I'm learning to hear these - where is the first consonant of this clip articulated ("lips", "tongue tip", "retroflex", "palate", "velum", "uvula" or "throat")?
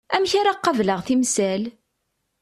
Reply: lips